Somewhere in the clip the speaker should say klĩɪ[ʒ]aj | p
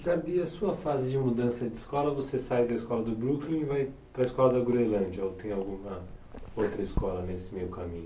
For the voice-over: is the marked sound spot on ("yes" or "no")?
no